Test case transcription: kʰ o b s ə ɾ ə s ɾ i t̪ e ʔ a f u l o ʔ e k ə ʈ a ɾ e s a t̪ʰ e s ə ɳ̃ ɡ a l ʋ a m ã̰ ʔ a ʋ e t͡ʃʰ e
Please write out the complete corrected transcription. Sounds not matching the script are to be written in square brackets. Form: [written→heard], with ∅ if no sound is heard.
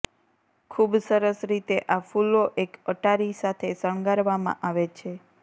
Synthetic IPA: kʰ [o→u] b s ə ɾ ə s ɾ i t̪ e ʔ a f u l o ʔ e k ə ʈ a ɾ [e→i] s a t̪ʰ e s ə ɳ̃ ɡ a [l→ɾ] ʋ a m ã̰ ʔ a ʋ e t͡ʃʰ e

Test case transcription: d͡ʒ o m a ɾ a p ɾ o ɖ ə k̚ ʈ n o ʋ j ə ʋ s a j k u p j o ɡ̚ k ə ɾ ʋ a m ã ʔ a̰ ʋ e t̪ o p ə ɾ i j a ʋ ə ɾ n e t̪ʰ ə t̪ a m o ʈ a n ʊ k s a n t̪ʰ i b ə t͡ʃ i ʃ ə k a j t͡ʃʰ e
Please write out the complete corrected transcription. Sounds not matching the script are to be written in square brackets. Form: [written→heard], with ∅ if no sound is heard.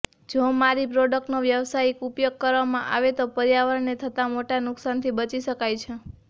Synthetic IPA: d͡ʒ o m a ɾ [a→i] p ɾ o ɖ ə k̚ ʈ n o ʋ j ə ʋ s a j k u p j o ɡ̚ k ə ɾ ʋ a m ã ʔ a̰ ʋ e t̪ o p ə ɾ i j a ʋ ə ɾ n e t̪ʰ ə t̪ a m o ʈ a n ʊ k s a n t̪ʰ i b ə t͡ʃ i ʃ ə k a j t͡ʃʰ e

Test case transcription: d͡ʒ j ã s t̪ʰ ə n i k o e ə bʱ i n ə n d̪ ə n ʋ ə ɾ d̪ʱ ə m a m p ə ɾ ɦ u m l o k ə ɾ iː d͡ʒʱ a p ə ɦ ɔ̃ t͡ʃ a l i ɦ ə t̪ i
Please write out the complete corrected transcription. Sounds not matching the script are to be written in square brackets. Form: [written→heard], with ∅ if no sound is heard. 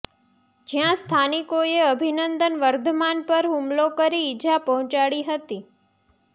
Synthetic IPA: d͡ʒ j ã s t̪ʰ [ə→a] n i k o e ə bʱ i n ə n d̪ ə n ʋ ə ɾ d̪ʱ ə m a [m→n] p ə ɾ ɦ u m l o k ə ɾ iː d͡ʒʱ a p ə ɦ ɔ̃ t͡ʃ a [l→ɽ] i ɦ ə t̪ i

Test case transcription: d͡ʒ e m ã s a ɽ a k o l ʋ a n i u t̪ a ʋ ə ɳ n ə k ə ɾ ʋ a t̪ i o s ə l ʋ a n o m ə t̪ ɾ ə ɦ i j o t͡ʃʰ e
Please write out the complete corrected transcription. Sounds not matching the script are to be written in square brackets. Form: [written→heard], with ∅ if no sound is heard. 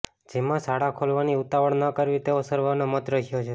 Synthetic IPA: d͡ʒ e m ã s a ɽ a [k→kʰ] o l ʋ a n i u t̪ a ʋ ə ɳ n ə k ə ɾ ʋ [a→i] t̪ [i→e] o s ə [l→ɾ] ʋ a n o m ə t̪ ɾ ə ɦ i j o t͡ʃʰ e

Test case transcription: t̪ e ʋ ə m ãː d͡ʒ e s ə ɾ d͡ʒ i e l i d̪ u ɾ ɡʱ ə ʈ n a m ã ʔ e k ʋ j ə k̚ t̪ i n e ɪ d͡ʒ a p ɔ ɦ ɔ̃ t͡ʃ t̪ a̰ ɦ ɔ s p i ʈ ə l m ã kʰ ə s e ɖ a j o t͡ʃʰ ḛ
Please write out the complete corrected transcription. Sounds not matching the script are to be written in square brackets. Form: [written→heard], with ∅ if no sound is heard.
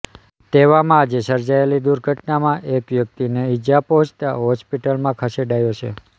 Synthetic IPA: t̪ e ʋ [ə→a] m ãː d͡ʒ e s ə ɾ d͡ʒ [i→a] e l i d̪ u ɾ ɡʱ ə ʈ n a m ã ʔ e k ʋ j ə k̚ t̪ i n e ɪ d͡ʒ a p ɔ ɦ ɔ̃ t͡ʃ t̪ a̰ ɦ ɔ s p i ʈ ə l m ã kʰ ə s e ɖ a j o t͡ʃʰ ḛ

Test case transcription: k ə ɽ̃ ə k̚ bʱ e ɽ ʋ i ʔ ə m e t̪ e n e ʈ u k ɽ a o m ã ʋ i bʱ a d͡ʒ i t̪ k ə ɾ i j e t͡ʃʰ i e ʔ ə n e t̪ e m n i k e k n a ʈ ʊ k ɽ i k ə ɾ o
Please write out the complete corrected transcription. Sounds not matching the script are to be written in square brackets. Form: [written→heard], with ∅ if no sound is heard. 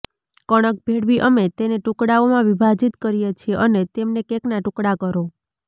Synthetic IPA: k ə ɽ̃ ə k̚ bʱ e ɽ ʋ i ʔ ə m e t̪ e n e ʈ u k ɽ a o m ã ʋ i bʱ a d͡ʒ i t̪ k ə ɾ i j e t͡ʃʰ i e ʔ ə n e t̪ e m n [i→e] k e k n a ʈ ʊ k ɽ [i→a] k ə ɾ o

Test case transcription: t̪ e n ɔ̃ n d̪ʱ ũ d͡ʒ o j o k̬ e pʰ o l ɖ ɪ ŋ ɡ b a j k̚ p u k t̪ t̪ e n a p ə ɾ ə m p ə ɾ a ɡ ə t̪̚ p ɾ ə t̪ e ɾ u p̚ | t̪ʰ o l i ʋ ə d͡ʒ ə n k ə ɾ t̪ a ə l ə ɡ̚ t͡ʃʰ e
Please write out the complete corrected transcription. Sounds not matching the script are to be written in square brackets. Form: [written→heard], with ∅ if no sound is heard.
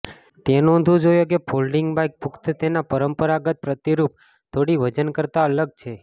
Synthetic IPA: t̪ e n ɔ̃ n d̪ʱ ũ d͡ʒ o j o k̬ e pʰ o l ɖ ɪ ŋ ɡ b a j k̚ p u k t̪ t̪ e n a p ə ɾ ə m p ə ɾ a ɡ ə t̪̚ p ɾ ə t̪ [e→i] ɾ u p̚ | t̪ʰ o [l→ɽ] i ʋ ə d͡ʒ ə n k ə ɾ t̪ a ə l ə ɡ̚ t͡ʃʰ e

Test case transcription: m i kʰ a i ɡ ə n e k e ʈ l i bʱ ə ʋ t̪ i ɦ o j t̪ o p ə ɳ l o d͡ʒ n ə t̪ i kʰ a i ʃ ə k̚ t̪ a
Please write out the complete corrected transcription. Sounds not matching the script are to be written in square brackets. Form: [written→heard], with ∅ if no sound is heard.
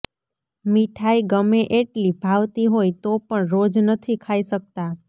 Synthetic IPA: m i [kʰ→ʈʰ] a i ɡ ə [n→m] e [k→ʔ] e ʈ l i bʱ [ə→a] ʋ t̪ i ɦ o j t̪ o p ə ɳ [l→ɾ] o d͡ʒ n ə [t̪→t̪ʰ] i kʰ a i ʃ ə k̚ t̪ a

